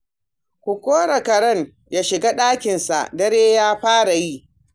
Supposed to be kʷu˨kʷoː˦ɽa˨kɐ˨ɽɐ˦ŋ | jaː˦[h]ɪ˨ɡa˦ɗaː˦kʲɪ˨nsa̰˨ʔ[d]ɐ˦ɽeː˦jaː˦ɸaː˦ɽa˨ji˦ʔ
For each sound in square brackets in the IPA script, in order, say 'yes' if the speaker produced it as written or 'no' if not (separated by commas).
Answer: no, yes